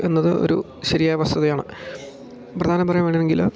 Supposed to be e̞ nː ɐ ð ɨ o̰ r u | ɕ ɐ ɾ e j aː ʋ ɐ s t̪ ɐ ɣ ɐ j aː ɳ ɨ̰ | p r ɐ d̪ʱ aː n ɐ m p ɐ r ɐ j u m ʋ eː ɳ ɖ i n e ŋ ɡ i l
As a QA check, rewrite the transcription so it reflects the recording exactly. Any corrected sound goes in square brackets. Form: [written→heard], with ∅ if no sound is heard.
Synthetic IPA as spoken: e̞ nː ɐ ð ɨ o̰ [r→ɾ] u | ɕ ɐ ɾ [e→i] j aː ʋ ɐ s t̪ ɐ [ɣ→ð] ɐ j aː ɳ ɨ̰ | p r ɐ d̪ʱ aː n ɐ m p ɐ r ɐ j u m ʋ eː ɳ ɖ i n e ŋ ɡ i l